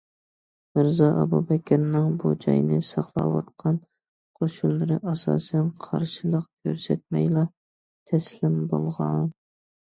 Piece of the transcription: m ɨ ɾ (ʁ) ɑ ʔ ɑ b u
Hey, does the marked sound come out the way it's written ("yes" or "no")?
no